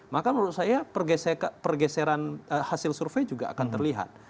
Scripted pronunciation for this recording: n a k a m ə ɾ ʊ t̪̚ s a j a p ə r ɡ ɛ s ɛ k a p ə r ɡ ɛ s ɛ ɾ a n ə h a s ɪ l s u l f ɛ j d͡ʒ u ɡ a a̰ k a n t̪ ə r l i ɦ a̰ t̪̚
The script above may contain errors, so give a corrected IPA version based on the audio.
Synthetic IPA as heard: m a k a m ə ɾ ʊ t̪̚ s a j a p ə r ɡ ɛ s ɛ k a p ə r ɡ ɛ s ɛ ɾ a n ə h a s ɪ l s u r f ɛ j d͡ʒ u ɡ a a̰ k a n t̪ ə r l i ɦ a̰ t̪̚